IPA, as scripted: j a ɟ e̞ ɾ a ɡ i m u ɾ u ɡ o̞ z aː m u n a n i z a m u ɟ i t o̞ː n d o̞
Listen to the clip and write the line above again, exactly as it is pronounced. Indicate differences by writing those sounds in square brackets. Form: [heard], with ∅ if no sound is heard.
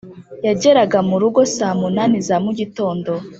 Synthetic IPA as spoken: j a ɟ e̞ ɾ a ɡ [a] m u ɾ u ɡ o̞ [s] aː m u n a n i z a m u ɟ i t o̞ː n d o̞